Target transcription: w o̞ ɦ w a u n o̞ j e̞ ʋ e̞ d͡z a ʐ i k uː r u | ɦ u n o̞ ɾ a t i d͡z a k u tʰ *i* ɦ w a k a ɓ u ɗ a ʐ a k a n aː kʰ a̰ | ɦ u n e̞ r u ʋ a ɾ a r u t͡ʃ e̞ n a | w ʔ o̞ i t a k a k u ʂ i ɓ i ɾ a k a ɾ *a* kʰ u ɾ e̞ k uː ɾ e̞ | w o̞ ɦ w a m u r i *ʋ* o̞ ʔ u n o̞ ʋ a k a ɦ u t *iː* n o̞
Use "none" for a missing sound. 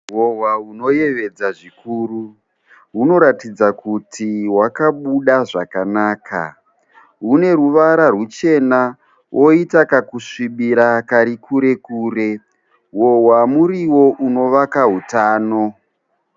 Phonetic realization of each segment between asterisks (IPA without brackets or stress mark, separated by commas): i, i, w, aː